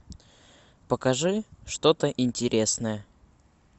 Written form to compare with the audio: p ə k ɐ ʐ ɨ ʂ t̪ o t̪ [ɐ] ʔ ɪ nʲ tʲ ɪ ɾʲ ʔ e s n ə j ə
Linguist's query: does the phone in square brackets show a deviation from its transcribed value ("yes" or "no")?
yes